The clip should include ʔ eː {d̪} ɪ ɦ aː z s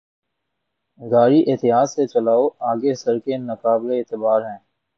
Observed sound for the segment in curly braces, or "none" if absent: t̪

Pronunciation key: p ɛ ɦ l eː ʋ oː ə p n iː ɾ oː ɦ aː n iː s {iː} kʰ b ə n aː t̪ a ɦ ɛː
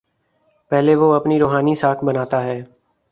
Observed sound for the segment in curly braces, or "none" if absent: aː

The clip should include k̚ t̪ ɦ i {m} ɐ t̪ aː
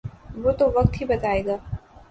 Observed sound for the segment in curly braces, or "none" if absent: b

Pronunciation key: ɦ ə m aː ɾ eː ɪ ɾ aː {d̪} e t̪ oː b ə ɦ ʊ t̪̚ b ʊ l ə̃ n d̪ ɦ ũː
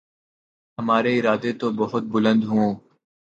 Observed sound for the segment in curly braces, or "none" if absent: d̪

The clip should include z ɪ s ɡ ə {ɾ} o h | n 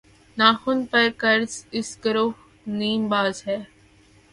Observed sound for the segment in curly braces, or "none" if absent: ɾ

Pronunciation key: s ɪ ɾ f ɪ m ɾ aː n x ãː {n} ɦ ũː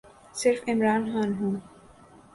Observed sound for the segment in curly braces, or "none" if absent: n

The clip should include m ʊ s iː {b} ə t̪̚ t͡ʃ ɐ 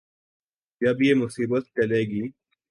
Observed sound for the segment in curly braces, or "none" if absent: b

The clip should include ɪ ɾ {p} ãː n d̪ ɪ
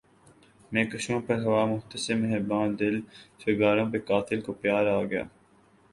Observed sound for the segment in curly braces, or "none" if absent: b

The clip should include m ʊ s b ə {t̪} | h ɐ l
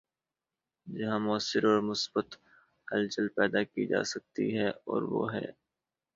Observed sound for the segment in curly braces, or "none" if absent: t̪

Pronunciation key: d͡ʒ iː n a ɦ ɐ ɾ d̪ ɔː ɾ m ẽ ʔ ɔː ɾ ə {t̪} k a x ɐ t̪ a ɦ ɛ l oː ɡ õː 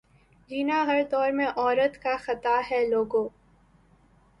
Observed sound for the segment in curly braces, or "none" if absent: t̪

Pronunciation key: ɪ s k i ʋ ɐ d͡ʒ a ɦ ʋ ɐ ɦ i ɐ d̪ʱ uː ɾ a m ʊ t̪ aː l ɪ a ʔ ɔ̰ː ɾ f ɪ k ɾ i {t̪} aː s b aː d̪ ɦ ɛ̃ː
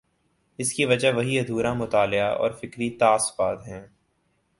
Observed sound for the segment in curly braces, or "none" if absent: t̪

